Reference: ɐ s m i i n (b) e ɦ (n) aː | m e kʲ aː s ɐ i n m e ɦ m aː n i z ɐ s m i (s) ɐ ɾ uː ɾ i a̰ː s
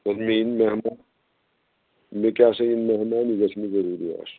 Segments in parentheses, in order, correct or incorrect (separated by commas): incorrect, incorrect, incorrect